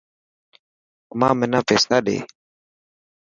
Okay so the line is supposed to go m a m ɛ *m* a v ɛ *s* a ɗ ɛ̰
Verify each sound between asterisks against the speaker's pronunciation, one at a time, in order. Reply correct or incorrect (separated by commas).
incorrect, correct